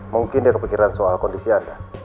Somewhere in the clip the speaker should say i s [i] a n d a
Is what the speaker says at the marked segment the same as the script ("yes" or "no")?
yes